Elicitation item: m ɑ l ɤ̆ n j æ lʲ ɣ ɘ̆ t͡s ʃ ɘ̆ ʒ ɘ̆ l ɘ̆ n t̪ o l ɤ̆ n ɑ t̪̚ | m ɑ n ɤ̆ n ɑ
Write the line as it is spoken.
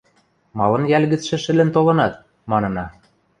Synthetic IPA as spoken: m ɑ l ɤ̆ n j æ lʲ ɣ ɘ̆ t͡s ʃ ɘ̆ ʃ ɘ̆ l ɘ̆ n t̪ o l ɤ̆ n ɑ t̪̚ | m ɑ n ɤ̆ n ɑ